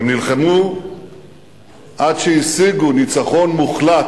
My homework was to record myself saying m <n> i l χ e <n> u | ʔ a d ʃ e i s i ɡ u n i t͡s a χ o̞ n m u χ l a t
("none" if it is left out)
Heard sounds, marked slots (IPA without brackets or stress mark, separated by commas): n, m